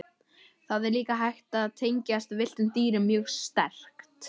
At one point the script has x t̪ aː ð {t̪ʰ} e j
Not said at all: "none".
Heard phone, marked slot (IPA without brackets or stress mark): t̪ʰ